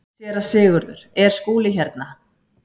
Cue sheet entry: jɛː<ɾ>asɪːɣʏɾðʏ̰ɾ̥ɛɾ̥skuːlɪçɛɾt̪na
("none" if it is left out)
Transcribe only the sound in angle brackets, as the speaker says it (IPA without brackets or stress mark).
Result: ɾ